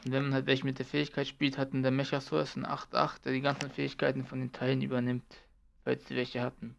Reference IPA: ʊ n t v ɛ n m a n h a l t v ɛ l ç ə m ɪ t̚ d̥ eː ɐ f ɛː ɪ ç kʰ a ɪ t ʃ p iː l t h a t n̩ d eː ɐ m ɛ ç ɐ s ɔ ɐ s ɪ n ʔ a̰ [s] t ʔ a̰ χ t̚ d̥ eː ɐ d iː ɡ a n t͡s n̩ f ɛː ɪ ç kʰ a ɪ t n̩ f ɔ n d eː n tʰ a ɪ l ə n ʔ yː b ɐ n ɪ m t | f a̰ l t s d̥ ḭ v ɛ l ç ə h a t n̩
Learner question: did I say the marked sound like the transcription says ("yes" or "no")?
no